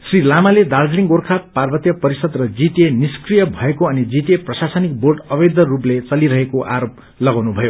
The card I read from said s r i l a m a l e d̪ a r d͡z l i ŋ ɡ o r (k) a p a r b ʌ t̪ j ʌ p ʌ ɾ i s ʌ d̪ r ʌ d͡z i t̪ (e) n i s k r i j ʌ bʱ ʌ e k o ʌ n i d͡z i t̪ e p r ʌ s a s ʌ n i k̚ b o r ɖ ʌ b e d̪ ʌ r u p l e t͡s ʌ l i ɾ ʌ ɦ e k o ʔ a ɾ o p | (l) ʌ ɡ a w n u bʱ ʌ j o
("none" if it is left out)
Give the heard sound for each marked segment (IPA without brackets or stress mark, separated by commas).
kʰ, e, l